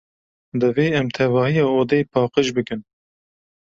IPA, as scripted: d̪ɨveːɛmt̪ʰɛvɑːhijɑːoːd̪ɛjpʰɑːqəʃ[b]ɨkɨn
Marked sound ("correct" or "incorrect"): correct